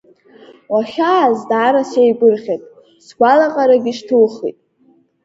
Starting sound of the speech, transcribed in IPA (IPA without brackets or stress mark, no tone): w